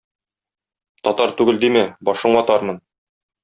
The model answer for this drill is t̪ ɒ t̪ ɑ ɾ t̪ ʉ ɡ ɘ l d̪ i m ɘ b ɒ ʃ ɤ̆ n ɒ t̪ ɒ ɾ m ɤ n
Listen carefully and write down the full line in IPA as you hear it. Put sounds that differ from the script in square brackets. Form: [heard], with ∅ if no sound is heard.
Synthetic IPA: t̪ ɒ t̪ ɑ ɾ t̪ ʉ ɡ ɘ l d̪ i m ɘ b ɒ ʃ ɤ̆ [ɴ] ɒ t̪ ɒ ɾ m ɤ n